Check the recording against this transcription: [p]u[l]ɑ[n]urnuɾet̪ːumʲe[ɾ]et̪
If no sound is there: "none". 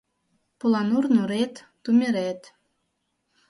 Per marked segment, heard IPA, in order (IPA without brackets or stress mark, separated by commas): p, l, n, ɾ